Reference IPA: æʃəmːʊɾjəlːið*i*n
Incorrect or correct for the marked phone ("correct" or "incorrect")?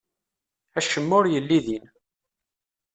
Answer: correct